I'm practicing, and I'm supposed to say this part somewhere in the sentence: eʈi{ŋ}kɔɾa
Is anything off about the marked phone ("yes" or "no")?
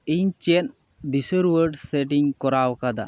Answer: no